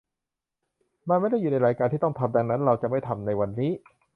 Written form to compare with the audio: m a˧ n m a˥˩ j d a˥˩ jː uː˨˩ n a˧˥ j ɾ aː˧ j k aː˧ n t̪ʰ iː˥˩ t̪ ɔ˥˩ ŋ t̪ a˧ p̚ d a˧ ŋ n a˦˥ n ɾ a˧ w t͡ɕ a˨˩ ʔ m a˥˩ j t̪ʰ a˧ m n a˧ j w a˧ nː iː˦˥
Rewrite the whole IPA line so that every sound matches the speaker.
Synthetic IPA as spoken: m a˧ n m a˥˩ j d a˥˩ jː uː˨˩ n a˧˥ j ɾ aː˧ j k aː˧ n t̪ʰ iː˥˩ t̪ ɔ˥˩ ŋ t̪ʰ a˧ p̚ d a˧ ŋ n a˦˥ n ɾ a˧ w t͡ɕ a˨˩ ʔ m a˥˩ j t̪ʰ a˧ m n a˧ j w a˧ nː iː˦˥

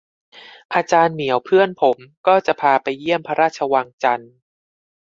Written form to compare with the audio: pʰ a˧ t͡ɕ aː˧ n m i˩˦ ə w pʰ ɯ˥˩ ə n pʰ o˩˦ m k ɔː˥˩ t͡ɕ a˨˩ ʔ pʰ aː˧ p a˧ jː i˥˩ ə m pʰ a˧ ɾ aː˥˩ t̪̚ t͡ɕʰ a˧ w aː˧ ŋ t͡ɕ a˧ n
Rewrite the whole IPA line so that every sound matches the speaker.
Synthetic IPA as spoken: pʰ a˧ t͡ɕ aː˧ n m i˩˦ ə w pʰ ɯ˥˩ ə n pʰ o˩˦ m k ɔː˥˩ t͡ɕ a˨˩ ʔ pʰ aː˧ p a˧ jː i˥˩ ə m pʰ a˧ ɾ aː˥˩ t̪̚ t͡ɕʰ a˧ w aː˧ ŋ t͡ɕ a˧ n

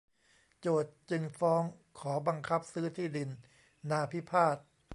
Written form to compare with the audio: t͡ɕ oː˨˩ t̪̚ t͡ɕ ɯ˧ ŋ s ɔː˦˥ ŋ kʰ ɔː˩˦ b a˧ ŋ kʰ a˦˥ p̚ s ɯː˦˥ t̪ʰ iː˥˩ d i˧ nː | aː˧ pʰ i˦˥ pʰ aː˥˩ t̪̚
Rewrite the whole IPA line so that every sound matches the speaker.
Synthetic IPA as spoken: t͡ɕ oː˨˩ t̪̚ t͡ɕ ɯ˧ ŋ f ɔː˦˥ ŋ kʰ ɔː˩˦ b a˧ ŋ kʰ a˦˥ p̚ s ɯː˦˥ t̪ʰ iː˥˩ d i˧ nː | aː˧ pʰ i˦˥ pʰ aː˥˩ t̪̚

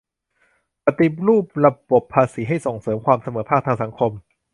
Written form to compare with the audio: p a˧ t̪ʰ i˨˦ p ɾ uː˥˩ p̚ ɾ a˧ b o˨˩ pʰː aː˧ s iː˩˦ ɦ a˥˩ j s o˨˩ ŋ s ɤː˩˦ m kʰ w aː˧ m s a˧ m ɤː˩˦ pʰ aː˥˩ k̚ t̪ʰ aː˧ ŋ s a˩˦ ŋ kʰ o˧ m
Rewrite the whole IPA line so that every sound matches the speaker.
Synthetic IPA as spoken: p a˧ t̪ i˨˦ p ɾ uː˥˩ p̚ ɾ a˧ b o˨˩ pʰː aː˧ s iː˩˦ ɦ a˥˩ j s o˨˩ ŋ s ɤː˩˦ m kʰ w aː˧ m s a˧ m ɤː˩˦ pʰ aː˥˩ k̚ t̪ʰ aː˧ ŋ s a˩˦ ŋ kʰ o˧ m

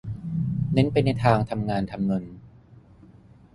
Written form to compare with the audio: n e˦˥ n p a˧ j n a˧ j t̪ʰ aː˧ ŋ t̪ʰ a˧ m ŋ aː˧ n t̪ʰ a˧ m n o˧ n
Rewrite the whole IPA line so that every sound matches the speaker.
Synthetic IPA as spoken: n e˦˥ n p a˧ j n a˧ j t̪ʰ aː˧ ŋ t̪ʰ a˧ m ŋ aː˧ n t̪ʰ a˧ m n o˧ n

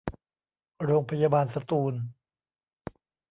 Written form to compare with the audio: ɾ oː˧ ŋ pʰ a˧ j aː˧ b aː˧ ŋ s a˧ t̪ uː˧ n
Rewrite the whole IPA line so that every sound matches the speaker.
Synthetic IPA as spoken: ɾ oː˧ ŋ pʰ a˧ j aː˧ b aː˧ n s a˧ t̪ uː˧ n

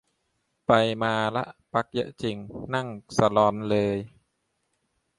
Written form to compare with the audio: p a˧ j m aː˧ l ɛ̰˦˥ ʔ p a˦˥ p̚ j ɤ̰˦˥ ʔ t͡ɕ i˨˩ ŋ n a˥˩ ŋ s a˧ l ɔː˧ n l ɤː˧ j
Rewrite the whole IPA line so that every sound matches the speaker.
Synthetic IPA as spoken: p a˧ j m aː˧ l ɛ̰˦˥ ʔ p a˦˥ k̚ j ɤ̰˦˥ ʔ t͡ɕ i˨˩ ŋ n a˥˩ ŋ s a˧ l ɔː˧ n l ɤː˧ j

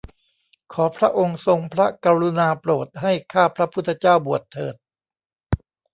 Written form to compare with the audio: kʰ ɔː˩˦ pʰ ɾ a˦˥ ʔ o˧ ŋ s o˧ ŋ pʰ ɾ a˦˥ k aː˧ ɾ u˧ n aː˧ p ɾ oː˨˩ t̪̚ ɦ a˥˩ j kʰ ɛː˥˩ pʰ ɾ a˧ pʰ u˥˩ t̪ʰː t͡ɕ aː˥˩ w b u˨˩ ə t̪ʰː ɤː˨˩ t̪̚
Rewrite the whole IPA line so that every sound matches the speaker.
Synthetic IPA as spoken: kʰ ɔː˩˦ pʰ ɾ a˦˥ ʔ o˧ ŋ s o˧ ŋ pʰ ɾ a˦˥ k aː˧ ɾ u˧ n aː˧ p ɾ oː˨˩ t̪̚ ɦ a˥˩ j kʰ aː˥˩ pʰ ɾ a˦˥ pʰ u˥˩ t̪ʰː t͡ɕ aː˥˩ w b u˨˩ ə t̪ʰː ɤː˨˩ t̪̚

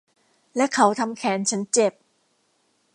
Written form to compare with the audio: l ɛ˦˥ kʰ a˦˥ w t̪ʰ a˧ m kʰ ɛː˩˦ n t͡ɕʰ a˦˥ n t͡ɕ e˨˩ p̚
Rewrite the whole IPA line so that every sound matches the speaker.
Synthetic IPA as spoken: l ɛ˦˥ kʰ a˦˥ w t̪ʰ a˧ m kʰ ɛː˩˦ n t͡ɕʰ a˦˥ n t͡ɕ e˨˩ p̚

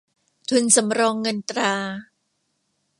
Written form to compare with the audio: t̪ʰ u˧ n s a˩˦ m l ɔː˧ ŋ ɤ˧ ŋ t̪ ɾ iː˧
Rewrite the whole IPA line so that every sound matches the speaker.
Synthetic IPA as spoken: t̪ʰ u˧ n s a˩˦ m ɾ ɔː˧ ŋː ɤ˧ n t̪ ɾ aː˧

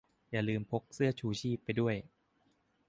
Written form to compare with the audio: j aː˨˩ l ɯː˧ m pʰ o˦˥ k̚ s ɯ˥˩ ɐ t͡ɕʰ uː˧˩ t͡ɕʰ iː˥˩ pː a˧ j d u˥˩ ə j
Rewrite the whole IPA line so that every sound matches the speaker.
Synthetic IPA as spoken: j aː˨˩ l ɯː˧ m pʰ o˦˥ k̚ s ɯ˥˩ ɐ t͡ɕʰ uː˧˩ t͡ɕʰ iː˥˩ pː a˧ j d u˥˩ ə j

